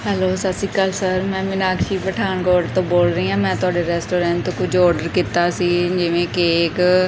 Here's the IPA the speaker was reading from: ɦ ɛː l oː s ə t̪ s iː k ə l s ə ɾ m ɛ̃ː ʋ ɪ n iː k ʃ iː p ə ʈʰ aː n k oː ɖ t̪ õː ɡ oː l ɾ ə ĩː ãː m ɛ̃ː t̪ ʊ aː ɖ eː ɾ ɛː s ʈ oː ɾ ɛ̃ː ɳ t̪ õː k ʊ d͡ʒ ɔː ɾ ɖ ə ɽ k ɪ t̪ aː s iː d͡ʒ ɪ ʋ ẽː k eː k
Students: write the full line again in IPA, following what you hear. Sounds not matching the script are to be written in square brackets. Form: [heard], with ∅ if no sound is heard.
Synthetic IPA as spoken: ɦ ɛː l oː s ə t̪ s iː k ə l s ə ɾ m ɛ̃ː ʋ ɪ n [aː] k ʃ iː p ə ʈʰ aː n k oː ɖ t̪ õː [b] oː l ɾ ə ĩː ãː m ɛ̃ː t̪ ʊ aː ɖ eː ɾ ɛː s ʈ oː ɾ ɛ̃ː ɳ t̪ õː k ʊ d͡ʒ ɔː ɾ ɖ ə [ɾ] k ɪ t̪ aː s iː d͡ʒ ɪ ʋ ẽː k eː k